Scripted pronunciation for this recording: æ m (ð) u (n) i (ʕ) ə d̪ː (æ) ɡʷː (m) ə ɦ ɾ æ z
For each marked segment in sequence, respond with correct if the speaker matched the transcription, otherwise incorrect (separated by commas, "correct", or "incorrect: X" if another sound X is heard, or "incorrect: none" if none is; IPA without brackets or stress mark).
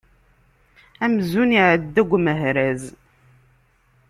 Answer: incorrect: z, correct, correct, correct, correct